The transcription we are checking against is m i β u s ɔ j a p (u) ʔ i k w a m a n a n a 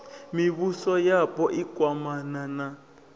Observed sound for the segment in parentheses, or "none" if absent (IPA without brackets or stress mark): ɔ